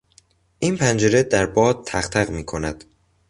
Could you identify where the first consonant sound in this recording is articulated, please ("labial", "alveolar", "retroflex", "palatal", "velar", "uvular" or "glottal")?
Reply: glottal